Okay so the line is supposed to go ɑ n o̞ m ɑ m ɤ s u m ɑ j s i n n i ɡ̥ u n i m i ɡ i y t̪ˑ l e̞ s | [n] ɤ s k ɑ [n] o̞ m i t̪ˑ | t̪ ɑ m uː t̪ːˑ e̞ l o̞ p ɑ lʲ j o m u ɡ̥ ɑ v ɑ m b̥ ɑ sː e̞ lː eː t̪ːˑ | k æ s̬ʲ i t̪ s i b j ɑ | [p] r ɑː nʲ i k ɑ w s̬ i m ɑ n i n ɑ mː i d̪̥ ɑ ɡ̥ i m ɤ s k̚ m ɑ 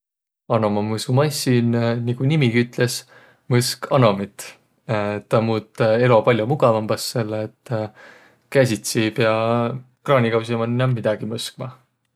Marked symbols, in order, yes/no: no, yes, no

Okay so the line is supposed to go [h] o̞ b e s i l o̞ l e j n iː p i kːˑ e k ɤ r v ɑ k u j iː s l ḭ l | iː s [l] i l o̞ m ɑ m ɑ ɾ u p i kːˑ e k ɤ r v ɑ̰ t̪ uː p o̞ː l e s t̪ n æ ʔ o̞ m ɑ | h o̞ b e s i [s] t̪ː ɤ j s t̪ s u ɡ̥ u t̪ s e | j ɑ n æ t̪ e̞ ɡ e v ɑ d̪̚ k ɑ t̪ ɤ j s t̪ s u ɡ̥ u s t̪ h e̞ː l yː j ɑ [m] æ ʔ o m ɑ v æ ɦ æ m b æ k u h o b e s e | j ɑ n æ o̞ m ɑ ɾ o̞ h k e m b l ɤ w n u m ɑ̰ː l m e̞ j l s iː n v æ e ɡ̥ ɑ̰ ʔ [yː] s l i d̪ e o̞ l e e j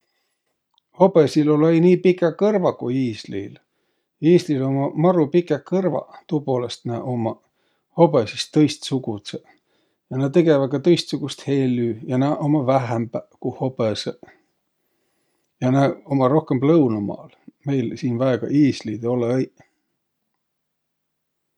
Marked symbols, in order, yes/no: yes, yes, yes, no, no

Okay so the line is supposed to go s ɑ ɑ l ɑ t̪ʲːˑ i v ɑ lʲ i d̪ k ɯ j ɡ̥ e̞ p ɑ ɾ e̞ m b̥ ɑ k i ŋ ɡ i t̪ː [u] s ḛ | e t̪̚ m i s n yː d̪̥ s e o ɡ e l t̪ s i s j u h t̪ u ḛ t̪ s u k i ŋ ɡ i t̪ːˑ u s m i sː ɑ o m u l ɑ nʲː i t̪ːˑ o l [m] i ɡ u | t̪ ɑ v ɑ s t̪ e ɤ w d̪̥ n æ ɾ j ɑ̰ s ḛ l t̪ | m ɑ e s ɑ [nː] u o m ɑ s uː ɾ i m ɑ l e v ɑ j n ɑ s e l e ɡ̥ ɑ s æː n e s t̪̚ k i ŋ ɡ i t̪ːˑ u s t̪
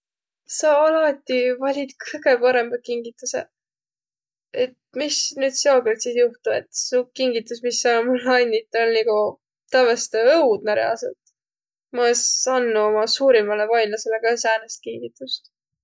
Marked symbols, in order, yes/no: yes, no, yes

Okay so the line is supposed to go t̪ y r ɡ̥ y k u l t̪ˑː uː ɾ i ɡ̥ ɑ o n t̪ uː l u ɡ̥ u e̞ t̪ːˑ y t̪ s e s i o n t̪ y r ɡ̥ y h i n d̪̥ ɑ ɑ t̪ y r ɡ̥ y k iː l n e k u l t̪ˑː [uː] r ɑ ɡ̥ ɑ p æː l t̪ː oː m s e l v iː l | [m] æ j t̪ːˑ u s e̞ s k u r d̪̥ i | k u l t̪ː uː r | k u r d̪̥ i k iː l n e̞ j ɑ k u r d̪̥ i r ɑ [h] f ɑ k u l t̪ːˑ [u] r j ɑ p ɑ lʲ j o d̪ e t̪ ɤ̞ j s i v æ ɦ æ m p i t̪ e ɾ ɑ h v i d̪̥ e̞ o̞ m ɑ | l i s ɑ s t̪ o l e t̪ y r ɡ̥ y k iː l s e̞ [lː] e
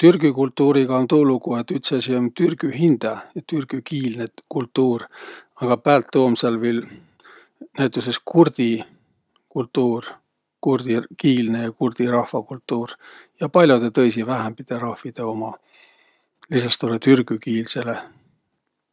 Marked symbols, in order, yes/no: yes, no, yes, no, no

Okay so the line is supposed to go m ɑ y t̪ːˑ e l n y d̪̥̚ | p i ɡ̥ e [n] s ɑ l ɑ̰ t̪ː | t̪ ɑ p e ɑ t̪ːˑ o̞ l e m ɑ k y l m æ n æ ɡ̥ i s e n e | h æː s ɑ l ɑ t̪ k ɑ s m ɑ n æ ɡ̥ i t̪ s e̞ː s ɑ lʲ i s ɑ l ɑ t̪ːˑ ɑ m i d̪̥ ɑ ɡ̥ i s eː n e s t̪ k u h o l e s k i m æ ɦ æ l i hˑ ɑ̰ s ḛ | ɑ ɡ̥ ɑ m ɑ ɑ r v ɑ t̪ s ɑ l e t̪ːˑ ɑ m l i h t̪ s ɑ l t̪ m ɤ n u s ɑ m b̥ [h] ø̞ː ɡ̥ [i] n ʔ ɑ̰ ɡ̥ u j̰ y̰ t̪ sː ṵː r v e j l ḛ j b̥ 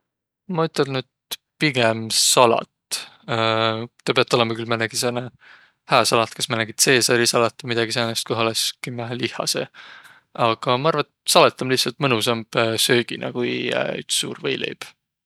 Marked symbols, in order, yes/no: no, no, yes

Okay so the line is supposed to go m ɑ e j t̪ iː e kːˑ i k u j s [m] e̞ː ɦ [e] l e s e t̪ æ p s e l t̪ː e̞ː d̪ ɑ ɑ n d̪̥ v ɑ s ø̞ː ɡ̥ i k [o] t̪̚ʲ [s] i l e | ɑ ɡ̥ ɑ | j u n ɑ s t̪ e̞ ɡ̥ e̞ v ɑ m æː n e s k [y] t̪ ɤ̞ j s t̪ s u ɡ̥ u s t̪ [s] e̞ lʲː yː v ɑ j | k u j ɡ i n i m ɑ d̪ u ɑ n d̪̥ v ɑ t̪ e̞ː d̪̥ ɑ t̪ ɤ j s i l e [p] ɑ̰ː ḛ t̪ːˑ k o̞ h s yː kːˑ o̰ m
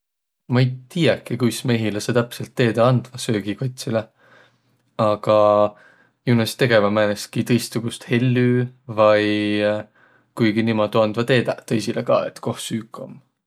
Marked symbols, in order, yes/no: yes, no, yes, yes, no, no, no

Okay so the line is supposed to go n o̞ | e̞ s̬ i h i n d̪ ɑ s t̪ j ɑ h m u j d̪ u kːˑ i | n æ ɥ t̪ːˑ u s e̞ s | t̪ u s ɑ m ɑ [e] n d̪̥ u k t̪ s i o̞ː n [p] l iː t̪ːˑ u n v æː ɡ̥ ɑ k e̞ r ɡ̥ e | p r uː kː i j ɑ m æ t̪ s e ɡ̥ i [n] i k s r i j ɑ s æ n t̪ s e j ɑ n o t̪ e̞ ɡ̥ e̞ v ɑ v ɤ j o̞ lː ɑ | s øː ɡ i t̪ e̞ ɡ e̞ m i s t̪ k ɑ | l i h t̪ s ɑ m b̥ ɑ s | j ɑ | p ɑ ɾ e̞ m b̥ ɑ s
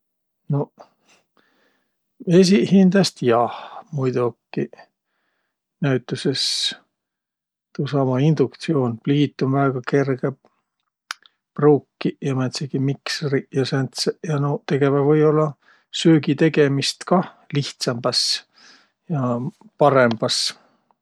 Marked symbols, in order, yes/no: no, yes, no

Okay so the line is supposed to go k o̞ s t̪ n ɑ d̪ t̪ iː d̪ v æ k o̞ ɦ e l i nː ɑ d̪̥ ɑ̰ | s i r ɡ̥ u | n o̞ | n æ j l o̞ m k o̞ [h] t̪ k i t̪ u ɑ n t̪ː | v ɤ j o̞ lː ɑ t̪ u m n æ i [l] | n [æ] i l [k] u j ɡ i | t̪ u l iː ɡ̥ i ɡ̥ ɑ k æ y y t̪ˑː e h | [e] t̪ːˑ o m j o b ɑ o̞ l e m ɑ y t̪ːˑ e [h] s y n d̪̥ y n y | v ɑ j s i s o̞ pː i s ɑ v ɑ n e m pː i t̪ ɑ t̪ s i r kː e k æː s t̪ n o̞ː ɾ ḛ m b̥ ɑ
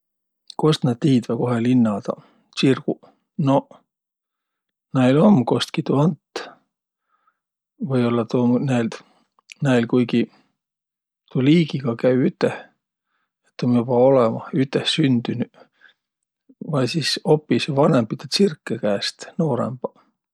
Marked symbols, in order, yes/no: no, yes, yes, yes, yes, yes

